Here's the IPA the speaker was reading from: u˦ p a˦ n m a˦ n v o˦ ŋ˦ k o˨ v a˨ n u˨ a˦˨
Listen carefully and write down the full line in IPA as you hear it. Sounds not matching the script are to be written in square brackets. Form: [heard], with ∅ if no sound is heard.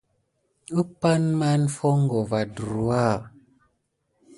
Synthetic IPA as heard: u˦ p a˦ n m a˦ n [f] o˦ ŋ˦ [ɡ] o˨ v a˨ [d] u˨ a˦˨